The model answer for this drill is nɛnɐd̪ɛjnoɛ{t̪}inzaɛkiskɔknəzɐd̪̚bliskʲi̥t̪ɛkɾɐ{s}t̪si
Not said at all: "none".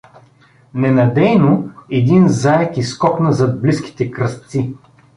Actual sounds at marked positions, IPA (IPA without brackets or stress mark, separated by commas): d̪, s